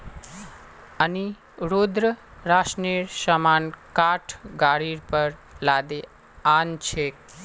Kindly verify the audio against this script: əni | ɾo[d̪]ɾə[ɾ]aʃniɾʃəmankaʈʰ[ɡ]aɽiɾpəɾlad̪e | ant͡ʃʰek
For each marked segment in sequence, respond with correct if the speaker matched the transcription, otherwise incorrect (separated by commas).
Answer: correct, correct, correct